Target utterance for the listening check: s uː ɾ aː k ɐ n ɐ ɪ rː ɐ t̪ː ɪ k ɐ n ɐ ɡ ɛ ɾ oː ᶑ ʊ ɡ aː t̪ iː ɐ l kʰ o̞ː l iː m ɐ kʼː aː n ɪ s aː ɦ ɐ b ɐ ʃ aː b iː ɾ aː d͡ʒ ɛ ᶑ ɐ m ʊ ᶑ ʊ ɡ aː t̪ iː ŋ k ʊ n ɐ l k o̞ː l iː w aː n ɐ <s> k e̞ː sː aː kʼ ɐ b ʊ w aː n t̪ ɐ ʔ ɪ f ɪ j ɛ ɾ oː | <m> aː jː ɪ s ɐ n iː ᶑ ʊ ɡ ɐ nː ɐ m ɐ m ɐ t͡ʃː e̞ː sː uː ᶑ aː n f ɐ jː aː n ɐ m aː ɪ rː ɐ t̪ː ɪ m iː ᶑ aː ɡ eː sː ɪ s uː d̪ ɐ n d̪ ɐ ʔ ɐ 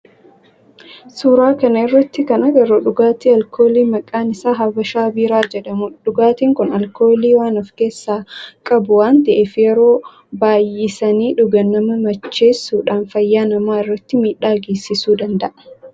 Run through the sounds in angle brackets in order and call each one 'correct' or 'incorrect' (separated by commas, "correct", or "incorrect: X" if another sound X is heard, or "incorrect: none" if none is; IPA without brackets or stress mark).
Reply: incorrect: f, incorrect: b